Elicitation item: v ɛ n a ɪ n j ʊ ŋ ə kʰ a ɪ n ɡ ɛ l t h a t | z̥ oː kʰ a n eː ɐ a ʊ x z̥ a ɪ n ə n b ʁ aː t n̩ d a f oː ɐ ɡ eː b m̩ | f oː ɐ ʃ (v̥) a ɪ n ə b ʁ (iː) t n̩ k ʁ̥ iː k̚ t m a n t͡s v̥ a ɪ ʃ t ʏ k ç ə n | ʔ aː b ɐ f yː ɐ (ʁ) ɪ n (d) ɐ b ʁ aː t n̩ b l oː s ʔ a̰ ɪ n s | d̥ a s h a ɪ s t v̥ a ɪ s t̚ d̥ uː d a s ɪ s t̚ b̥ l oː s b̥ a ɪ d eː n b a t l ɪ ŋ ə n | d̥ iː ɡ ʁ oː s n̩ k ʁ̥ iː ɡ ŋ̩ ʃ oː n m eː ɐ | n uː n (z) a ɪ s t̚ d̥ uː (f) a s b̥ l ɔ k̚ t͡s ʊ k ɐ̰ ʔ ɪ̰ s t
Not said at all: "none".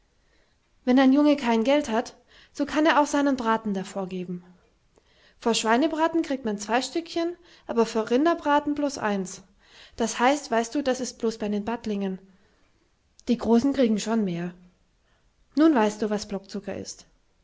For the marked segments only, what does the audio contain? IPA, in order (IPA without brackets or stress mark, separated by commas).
v̥, aː, ʁ, d, v, v